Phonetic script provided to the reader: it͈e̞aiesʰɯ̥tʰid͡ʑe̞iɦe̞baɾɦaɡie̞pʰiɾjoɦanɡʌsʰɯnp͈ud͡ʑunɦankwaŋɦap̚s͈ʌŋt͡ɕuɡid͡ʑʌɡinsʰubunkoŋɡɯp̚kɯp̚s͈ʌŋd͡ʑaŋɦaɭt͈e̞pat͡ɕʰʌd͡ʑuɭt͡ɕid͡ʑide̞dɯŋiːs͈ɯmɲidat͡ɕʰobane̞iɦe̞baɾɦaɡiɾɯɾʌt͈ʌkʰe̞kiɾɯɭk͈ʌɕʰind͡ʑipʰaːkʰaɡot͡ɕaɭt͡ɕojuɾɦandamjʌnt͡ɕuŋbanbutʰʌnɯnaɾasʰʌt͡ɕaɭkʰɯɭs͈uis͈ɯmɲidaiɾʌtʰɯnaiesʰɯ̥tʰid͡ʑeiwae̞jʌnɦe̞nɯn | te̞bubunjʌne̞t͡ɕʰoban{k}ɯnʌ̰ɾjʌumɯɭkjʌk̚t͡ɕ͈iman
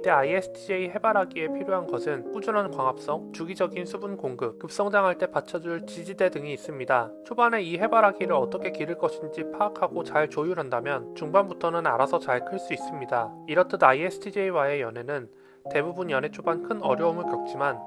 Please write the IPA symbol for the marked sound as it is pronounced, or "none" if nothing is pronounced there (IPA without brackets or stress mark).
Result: kʰ